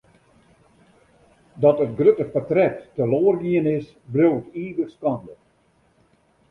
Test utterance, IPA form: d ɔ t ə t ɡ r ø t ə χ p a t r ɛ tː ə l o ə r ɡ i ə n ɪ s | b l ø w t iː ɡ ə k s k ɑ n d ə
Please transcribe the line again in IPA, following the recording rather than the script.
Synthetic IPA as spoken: d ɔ t ə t ɡ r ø t ə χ p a t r ɛ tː ə l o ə r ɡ i ə n ɪ s | b r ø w t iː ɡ ə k s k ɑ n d ə